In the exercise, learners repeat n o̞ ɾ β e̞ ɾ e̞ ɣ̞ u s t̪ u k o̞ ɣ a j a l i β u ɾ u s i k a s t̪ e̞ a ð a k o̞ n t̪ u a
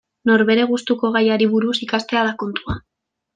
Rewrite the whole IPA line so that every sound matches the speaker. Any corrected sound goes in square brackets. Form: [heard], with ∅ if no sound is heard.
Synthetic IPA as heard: n o̞ ɾ β e̞ ɾ e̞ ɣ̞ u s t̪ u k o̞ ɣ a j a [ɾ] i β u ɾ u s i k a s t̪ e̞ a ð a k o̞ n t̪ u a